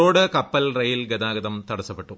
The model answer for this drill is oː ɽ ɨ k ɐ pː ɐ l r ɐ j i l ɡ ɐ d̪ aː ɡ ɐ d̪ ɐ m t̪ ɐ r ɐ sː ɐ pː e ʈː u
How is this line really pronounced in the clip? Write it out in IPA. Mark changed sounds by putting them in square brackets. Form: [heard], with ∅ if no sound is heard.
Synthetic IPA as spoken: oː ɽ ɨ k ɐ pː ɐ l r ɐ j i l ɡ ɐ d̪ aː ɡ ɐ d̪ ɐ m t̪ ɐ [ɽ] ɐ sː ɐ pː e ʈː u